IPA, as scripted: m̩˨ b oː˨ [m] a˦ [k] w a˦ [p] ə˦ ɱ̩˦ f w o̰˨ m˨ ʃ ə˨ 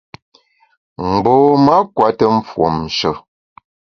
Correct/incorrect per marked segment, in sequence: correct, correct, incorrect: t

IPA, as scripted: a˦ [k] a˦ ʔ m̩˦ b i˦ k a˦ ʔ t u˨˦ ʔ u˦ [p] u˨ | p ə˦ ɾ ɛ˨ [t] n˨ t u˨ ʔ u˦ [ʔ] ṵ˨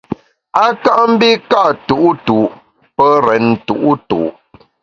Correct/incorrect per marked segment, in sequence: correct, incorrect: t, incorrect: none, incorrect: t

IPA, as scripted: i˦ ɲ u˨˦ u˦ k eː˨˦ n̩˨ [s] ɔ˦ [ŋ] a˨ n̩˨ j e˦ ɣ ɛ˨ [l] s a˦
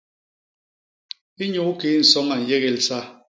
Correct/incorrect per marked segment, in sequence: correct, correct, correct

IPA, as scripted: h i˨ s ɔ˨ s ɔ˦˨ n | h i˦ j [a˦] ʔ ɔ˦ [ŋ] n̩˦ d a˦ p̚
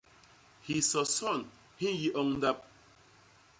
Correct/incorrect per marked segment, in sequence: incorrect: i˦, correct

